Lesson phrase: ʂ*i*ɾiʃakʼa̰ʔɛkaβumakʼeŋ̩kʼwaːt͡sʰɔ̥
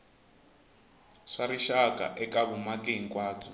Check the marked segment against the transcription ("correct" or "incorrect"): incorrect